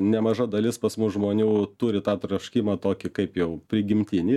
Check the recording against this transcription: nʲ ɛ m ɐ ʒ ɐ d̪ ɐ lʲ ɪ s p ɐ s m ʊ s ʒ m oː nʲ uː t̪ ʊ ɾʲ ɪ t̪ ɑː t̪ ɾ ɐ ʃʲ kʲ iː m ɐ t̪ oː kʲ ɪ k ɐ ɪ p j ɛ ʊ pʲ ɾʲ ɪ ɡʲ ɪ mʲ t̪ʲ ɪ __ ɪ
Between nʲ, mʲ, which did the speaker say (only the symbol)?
nʲ